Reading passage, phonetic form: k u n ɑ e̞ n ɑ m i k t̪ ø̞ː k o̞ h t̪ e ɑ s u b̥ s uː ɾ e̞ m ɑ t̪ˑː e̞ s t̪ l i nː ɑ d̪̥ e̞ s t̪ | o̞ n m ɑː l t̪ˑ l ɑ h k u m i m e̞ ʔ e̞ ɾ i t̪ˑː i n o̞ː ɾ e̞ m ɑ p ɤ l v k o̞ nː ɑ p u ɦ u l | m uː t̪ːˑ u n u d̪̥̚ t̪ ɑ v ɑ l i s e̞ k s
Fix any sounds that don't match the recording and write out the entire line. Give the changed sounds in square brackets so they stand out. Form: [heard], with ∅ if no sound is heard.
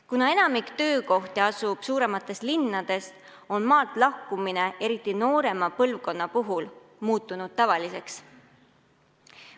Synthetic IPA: k u n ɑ e̞ n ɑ m i k t̪ ø̞ː k o̞ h t̪ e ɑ s u b̥ s uː ɾ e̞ m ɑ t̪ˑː e̞ s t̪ l i nː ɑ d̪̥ e̞ s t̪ | o̞ n m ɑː l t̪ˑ l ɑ h k u m i [n] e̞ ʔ e̞ ɾ i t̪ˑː i n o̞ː ɾ e̞ m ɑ p ɤ l v k o̞ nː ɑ p u ɦ u l | m uː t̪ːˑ u n u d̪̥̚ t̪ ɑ v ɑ l i s e̞ k s